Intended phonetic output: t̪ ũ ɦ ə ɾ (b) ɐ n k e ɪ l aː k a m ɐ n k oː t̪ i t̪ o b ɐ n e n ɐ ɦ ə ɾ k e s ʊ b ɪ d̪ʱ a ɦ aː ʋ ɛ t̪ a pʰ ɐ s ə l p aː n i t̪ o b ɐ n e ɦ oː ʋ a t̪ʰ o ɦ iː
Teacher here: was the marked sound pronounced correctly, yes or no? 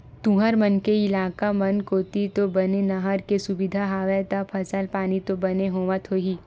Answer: no